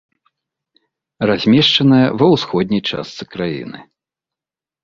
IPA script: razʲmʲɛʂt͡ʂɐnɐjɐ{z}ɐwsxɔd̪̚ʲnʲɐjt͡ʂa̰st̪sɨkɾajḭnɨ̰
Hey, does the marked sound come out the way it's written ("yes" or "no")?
no